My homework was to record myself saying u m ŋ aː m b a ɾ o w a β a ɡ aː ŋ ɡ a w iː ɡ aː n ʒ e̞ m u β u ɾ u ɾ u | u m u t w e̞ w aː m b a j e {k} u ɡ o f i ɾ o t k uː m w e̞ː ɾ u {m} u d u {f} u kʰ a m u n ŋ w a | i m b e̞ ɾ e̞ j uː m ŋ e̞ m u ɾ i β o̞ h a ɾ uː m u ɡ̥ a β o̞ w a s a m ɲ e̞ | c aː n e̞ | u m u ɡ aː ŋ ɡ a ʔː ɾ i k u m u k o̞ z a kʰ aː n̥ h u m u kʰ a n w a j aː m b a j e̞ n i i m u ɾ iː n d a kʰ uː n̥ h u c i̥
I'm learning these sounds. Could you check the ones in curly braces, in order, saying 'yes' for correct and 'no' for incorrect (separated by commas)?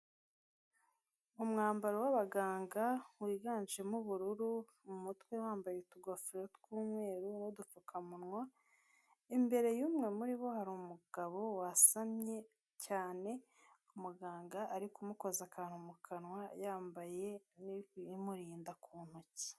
no, no, yes